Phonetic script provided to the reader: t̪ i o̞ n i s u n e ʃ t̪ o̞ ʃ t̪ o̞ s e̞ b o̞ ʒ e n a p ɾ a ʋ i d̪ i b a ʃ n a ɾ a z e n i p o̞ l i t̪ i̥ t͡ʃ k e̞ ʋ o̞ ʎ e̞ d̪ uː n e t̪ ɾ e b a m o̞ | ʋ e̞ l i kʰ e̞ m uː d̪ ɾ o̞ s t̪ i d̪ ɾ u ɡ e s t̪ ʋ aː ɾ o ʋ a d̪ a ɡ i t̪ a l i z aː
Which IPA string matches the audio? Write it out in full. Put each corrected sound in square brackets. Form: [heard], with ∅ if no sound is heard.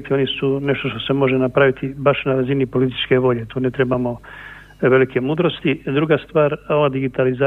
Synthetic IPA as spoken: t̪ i o̞ n i s u n e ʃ t̪ o̞ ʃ t̪ o̞ s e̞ [m] o̞ ʒ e n a p ɾ a ʋ i [t̪] i b a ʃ n a ɾ a z [i] n i p o̞ l i t̪ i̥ t͡ʃ k e̞ ʋ o̞ ʎ e̞ [t̪] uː n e t̪ ɾ e b a m o̞ | ʋ e̞ l i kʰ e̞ m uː d̪ ɾ o̞ s t̪ i d̪ ɾ u ɡ [a] s t̪ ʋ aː ɾ o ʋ a d̪ [i] ɡ i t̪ a l i z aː